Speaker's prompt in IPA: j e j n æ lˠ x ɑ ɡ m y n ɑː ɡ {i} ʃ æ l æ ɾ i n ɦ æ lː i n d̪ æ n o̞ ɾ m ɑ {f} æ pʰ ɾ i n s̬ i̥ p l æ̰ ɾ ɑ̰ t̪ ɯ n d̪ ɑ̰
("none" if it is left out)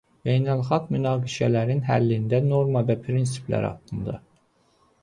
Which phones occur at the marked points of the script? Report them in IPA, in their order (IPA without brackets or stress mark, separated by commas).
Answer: i, v